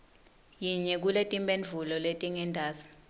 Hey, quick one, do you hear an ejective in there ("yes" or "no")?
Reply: yes